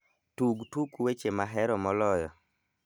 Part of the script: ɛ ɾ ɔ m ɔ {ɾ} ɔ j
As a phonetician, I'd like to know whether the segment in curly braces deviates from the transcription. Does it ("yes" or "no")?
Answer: yes